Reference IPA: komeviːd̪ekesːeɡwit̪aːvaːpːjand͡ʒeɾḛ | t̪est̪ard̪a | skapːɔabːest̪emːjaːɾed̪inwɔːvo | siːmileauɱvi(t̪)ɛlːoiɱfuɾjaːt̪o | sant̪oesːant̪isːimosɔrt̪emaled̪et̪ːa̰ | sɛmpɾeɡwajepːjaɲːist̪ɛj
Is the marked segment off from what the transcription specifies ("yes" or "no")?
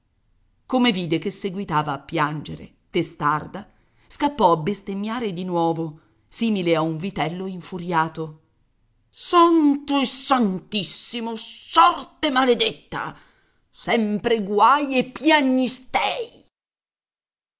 no